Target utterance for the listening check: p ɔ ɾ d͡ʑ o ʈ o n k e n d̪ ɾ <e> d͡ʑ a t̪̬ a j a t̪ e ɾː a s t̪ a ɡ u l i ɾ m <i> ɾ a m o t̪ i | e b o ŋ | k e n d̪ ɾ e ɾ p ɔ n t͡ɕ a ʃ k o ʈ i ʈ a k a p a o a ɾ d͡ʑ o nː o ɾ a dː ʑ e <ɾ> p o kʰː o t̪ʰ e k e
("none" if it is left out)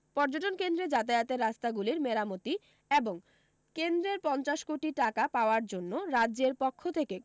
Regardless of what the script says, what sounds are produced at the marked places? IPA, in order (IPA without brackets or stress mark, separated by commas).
e, e, ɾ